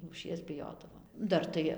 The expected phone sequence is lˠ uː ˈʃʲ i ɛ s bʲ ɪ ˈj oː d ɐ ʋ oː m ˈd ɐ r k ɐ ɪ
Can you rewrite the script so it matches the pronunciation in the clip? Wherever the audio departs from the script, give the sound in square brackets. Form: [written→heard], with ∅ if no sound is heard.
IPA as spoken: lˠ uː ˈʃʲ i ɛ s bʲ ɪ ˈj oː d ɐ ʋ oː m ˈd ɐ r [k→t] ɐ ɪ